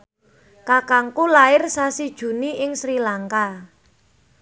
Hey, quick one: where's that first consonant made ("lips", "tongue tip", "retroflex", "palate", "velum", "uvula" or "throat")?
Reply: velum